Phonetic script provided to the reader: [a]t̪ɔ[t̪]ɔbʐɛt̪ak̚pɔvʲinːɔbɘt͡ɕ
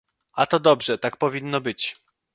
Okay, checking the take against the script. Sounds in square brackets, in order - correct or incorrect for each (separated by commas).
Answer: correct, incorrect